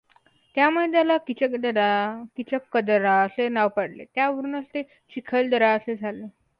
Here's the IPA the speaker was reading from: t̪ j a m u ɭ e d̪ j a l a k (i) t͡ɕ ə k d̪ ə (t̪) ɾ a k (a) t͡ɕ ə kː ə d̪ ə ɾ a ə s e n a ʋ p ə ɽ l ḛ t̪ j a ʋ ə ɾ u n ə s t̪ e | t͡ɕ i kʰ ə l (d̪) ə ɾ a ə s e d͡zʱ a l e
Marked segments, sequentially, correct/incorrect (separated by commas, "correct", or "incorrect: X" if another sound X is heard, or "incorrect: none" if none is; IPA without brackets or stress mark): correct, incorrect: none, incorrect: i, correct